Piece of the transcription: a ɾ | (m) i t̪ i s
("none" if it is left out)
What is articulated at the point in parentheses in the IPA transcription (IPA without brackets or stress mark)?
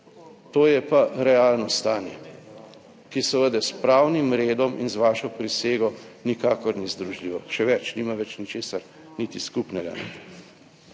n